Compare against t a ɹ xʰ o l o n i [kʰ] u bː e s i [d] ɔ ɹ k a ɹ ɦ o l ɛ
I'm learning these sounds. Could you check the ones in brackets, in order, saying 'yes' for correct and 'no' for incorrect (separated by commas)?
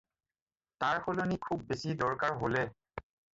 yes, yes